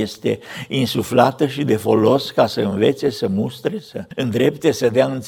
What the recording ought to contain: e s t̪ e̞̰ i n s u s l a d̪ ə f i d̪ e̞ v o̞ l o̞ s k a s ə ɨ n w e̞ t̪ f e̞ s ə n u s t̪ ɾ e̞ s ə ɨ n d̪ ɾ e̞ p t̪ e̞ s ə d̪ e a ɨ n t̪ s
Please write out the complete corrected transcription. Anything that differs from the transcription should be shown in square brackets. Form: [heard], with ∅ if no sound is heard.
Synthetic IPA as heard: e s t̪ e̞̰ i n s u [f] l a [t̪] ə [ʃ] i d̪ e̞ [f] o̞ l o̞ s k a s ə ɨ n [v] e̞ t̪ [s] e̞ s ə [m] u s t̪ ɾ e̞ s ə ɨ n d̪ ɾ e̞ p t̪ e̞ s ə d̪ e a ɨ n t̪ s